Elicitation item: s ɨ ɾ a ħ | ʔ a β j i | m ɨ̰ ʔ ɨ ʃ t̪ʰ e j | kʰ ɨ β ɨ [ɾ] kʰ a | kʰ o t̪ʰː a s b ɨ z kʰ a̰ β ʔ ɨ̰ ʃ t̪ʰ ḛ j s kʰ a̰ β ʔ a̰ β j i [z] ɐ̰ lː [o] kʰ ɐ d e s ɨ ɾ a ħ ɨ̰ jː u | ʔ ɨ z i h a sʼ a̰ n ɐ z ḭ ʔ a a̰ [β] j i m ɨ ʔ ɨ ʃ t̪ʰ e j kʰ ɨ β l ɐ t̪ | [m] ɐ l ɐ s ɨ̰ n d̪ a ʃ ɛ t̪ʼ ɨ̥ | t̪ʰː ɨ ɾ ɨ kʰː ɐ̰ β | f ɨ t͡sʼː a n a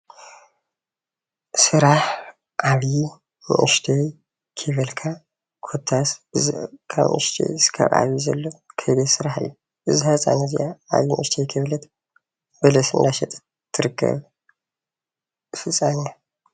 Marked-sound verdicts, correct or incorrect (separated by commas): incorrect, correct, correct, correct, incorrect